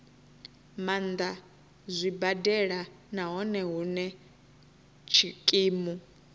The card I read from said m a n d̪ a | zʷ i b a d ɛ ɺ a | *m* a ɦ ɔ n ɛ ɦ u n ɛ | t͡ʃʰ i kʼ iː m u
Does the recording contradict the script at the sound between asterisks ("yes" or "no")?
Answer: yes